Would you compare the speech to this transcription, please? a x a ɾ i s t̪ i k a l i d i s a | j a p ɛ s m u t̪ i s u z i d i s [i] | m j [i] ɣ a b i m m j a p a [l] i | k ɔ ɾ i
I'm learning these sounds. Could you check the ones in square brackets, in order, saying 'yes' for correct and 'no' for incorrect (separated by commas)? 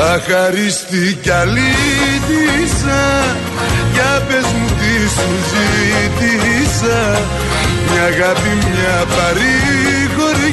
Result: no, no, no